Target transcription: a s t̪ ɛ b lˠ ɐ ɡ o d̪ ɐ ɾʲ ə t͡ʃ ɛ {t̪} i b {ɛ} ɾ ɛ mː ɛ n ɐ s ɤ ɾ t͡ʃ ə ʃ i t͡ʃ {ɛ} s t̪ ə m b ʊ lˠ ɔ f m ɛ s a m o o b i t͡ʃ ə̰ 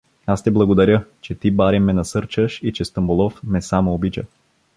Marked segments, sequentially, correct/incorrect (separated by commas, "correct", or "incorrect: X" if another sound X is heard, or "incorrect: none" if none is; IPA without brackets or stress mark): correct, incorrect: a, correct